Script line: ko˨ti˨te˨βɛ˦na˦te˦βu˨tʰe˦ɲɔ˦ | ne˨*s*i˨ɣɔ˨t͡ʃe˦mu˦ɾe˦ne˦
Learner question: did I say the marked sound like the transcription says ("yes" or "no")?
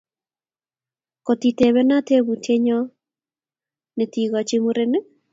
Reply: no